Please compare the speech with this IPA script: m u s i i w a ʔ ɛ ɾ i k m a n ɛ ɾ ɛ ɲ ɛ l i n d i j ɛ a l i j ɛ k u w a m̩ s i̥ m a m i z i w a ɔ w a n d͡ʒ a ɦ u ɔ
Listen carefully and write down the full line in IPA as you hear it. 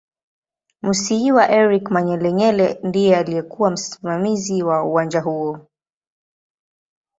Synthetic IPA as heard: m u s i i w a ʔ ɛ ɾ i k m a ɲ ɛ l ɛ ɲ ɛ l ɛ n d i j ɛ a l i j ɛ k u w a m̩ s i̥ m a m i z i w a u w a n d͡ʒ a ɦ u ɔ